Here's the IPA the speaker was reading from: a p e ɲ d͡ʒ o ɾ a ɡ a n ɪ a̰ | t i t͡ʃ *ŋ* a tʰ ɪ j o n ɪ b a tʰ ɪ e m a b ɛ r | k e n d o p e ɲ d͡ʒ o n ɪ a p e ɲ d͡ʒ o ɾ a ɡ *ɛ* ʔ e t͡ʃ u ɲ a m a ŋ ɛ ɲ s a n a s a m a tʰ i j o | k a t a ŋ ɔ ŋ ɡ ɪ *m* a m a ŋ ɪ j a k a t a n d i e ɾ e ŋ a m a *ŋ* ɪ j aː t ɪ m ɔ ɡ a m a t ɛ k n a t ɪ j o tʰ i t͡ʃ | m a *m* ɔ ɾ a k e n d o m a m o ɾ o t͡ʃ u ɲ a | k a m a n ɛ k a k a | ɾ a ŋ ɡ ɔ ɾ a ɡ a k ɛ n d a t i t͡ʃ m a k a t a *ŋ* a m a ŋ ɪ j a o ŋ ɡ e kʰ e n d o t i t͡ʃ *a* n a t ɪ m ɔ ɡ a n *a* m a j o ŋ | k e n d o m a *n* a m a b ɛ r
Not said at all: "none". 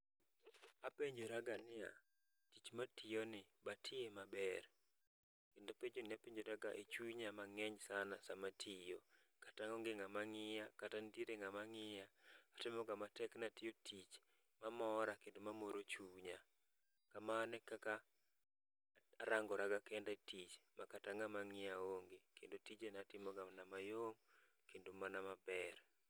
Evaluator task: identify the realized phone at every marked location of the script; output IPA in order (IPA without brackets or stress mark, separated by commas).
m, a, ŋ, ŋ, m, ŋ, e, a, n